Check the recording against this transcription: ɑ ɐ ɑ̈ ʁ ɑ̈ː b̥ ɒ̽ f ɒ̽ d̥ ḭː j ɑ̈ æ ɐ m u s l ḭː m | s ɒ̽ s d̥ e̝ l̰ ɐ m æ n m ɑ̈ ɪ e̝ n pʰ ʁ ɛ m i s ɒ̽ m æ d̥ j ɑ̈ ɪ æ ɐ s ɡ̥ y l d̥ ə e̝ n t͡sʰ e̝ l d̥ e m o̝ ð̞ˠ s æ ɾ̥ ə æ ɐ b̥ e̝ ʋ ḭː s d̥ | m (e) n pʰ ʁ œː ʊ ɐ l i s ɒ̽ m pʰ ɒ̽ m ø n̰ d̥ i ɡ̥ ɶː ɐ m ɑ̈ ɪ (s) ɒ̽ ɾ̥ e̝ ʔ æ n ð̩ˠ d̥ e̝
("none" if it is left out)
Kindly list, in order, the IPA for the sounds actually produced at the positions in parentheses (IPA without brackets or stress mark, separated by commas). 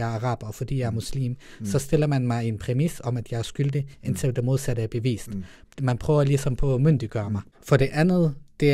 æ, f